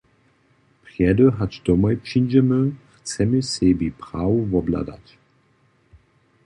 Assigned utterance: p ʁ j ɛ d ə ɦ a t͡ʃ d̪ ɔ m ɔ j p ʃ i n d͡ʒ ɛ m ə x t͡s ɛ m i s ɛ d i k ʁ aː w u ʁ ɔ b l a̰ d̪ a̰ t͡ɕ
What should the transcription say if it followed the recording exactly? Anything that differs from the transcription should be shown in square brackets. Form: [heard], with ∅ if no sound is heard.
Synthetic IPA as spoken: p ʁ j ɛ d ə ɦ a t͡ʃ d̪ ɔ m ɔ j p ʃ i n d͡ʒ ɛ m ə x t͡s ɛ m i s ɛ [b] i [p] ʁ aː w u [v] ɔ b l a̰ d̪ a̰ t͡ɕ